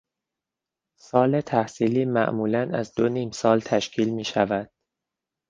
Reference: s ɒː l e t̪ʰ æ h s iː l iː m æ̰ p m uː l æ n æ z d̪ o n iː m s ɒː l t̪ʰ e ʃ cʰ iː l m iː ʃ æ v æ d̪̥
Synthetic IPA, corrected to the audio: s ɒː l e t̪ʰ æ h s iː l iː m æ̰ ʔ m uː l æ n æ z d̪ o n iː m s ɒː l t̪ʰ æ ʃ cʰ iː l m iː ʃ æ v æ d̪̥